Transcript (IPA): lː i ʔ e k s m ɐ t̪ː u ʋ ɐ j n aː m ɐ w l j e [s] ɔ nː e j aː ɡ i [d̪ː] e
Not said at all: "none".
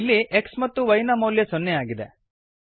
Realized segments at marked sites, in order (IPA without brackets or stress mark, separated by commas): s, d̪